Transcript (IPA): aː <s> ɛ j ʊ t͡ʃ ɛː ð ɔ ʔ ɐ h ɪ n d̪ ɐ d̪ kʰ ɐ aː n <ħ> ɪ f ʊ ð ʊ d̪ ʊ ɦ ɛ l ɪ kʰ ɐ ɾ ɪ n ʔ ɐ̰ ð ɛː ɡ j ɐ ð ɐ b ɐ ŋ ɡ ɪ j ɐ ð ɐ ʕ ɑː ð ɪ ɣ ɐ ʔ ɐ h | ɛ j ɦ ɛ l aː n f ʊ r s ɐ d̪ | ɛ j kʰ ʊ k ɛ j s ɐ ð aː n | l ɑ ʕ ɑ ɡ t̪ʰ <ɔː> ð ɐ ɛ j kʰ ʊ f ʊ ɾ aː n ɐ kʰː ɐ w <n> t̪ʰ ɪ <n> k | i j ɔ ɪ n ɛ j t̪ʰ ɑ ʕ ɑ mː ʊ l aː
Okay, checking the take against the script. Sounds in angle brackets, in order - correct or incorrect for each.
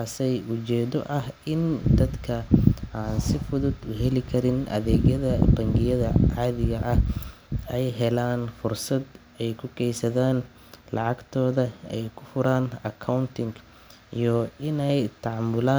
correct, incorrect: s, correct, correct, incorrect: ŋ

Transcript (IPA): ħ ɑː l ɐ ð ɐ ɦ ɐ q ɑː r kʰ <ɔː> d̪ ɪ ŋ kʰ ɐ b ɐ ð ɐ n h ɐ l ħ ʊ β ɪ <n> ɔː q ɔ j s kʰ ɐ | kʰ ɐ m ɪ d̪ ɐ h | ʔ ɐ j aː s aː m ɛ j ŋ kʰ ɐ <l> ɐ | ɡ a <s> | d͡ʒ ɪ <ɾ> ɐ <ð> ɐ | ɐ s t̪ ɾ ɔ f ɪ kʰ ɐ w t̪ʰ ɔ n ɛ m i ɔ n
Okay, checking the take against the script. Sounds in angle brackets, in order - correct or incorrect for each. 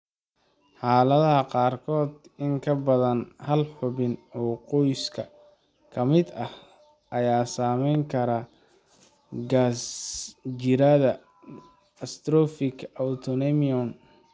correct, correct, incorrect: ɾ, correct, correct, correct

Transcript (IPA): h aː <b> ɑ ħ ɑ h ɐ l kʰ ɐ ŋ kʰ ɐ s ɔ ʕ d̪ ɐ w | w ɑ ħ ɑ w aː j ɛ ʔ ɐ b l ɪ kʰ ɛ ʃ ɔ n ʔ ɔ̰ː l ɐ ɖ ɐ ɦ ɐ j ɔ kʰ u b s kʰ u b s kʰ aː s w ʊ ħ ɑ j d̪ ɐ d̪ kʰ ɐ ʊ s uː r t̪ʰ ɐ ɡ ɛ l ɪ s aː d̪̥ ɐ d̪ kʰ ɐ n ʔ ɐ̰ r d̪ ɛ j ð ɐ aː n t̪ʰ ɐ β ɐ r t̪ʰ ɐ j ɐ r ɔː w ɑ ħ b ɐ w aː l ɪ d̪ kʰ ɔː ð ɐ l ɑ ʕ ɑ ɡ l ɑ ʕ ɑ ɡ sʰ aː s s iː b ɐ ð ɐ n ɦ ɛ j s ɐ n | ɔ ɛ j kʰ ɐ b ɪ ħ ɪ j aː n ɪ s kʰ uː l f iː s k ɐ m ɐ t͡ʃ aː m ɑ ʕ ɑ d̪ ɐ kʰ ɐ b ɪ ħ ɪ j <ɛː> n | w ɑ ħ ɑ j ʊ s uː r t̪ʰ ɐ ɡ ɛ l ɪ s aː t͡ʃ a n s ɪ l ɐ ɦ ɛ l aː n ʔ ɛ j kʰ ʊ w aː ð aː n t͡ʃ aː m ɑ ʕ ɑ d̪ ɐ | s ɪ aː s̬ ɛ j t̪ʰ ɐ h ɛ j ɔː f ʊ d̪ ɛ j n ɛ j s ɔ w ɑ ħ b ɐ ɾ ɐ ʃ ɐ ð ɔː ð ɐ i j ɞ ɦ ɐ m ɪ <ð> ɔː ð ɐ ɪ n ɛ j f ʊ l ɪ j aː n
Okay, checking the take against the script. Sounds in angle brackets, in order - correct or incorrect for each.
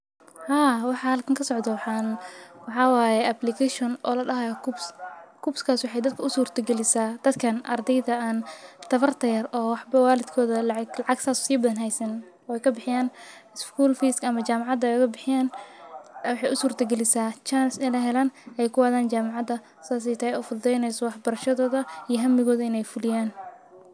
incorrect: w, incorrect: aː, incorrect: ɣ

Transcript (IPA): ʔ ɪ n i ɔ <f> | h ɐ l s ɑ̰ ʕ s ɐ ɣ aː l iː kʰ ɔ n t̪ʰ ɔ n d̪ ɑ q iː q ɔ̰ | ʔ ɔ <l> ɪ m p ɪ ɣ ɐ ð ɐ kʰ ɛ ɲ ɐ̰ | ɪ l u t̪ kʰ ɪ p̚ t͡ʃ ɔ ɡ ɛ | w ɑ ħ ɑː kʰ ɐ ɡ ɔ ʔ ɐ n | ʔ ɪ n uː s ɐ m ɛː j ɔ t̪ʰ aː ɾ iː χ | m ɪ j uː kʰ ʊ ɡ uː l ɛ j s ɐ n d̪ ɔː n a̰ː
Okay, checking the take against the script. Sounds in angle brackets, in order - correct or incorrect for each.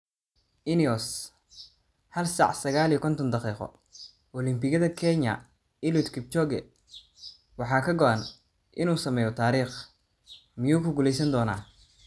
incorrect: s, correct

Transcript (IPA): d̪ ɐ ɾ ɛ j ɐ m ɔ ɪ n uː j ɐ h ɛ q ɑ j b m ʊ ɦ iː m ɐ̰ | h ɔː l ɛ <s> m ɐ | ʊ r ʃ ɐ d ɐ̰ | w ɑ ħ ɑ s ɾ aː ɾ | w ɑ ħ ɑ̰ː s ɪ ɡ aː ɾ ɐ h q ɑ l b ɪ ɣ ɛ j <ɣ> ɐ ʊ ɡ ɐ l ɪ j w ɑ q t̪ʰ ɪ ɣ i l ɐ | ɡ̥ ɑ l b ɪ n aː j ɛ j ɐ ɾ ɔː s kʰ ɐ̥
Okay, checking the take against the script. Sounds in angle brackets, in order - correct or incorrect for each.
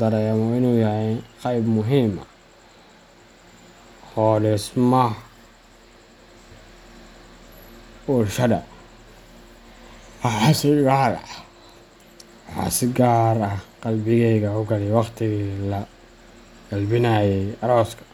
correct, correct

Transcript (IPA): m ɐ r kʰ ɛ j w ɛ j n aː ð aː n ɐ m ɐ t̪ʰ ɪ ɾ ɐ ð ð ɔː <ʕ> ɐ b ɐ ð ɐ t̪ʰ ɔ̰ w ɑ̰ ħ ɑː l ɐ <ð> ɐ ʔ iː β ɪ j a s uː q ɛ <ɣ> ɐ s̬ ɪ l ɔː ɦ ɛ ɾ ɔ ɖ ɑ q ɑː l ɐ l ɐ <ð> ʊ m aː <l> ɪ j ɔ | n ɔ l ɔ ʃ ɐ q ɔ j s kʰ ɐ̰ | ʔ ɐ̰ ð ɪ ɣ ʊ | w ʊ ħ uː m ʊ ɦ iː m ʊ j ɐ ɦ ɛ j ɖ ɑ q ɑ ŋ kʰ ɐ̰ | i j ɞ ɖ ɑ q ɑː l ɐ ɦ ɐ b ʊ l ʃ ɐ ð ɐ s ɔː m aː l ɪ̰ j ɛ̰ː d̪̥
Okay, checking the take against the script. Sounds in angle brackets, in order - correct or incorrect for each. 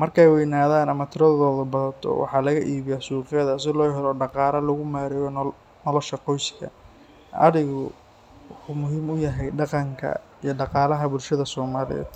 incorrect: ð, incorrect: ɣ, incorrect: ð, incorrect: ɣ, incorrect: ɾ

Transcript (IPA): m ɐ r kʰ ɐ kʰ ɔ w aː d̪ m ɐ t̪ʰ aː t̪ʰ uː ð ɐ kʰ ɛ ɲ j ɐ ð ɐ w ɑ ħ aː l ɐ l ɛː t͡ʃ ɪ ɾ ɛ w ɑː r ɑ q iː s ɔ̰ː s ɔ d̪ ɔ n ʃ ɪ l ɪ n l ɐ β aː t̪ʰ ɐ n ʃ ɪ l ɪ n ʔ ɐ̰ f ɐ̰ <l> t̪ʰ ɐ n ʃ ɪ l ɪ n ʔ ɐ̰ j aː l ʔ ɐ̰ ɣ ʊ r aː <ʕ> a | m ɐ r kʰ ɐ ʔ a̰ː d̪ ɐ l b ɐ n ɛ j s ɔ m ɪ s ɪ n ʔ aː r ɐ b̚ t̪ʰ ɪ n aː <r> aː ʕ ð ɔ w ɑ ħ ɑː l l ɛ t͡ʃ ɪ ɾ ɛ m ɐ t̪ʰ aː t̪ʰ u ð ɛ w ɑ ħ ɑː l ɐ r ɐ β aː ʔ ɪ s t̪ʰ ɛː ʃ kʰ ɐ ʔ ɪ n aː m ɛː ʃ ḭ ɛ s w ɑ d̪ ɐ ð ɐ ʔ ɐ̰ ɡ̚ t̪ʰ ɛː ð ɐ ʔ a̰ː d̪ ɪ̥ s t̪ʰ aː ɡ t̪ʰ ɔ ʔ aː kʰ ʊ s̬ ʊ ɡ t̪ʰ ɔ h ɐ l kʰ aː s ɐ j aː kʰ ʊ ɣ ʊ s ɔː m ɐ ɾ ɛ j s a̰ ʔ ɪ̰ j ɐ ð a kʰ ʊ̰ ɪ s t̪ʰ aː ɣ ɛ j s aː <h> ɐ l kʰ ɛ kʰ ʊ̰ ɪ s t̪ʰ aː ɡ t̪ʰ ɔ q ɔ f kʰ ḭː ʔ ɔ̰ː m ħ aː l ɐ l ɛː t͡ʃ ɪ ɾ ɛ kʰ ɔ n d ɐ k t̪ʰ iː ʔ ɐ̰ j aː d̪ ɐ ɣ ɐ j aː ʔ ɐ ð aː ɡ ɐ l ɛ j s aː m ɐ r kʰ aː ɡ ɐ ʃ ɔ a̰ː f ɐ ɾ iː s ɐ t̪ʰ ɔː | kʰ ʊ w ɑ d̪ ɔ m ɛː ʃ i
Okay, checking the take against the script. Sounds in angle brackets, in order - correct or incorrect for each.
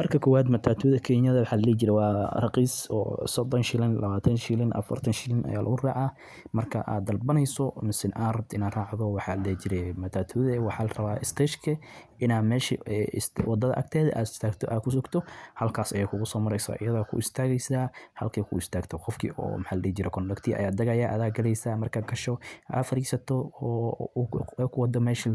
incorrect: r, correct, correct, correct

